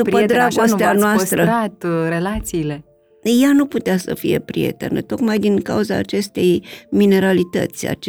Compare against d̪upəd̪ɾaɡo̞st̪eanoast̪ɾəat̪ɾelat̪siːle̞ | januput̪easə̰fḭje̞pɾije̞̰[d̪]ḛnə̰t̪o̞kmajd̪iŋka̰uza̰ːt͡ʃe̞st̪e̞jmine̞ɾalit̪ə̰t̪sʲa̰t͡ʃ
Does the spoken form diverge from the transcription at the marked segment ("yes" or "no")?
yes